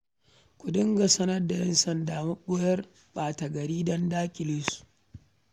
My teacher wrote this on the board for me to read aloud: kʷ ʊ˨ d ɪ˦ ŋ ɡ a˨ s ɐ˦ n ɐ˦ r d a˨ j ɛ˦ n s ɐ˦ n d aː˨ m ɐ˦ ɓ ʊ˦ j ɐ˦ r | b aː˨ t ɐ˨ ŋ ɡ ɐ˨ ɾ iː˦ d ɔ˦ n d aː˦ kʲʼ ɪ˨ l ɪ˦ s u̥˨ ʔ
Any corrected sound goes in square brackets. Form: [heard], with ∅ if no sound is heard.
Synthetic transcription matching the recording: kʷ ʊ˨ d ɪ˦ ŋ ɡ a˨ s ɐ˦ n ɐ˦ r d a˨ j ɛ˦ n s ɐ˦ n d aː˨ m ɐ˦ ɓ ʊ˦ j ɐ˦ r | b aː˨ t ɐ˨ [∅] ɡ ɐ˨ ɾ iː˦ d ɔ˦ n d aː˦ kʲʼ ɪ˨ l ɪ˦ s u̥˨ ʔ

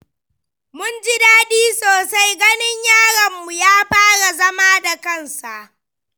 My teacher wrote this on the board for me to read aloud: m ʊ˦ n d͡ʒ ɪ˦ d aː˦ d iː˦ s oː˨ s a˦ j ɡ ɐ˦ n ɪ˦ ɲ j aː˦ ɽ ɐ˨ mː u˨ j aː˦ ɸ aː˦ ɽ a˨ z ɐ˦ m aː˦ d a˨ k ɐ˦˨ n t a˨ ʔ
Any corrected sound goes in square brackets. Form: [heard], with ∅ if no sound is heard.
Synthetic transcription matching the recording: m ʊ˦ n d͡ʒ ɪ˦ d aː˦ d iː˦ s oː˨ s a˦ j ɡ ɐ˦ n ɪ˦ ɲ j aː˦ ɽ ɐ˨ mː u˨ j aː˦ ɸ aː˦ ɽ a˨ z ɐ˦ m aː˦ d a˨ k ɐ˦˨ n [s] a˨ ʔ

